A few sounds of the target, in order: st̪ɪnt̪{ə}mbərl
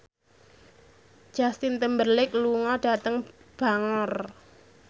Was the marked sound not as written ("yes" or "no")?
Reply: no